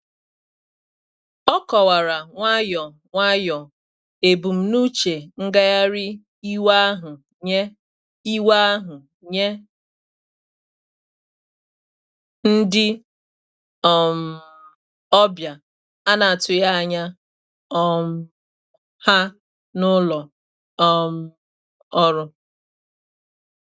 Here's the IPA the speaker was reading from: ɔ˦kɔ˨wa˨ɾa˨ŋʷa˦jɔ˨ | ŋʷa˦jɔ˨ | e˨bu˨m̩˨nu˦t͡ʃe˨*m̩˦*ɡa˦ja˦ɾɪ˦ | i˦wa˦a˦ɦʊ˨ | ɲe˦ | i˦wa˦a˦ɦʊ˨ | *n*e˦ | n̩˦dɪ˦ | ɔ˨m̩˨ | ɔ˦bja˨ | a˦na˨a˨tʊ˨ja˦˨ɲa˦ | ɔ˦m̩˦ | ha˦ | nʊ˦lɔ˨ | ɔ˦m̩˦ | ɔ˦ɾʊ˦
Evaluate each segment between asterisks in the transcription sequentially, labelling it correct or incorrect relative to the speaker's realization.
incorrect: ŋ̩˦, incorrect: ɲ

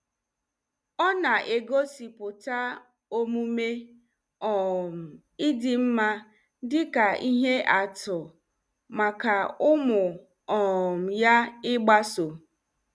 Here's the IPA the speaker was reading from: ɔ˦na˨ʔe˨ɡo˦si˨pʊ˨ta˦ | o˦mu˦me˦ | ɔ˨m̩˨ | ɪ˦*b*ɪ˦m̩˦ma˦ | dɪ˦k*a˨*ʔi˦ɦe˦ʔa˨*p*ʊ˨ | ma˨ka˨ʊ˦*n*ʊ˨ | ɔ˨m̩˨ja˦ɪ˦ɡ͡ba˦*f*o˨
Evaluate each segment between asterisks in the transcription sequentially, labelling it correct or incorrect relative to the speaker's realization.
incorrect: d, correct, incorrect: t, incorrect: m, incorrect: s

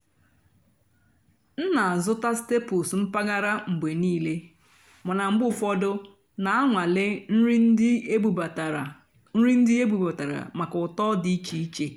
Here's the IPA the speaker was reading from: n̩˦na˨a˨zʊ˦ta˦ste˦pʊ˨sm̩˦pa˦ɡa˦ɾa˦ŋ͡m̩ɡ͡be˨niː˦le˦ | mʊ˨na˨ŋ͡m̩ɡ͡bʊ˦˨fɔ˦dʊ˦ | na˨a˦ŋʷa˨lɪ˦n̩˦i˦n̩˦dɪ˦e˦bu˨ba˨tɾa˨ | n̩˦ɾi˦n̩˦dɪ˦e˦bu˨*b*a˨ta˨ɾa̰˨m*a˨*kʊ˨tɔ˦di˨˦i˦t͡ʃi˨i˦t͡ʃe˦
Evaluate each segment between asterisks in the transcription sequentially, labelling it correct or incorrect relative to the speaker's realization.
correct, correct

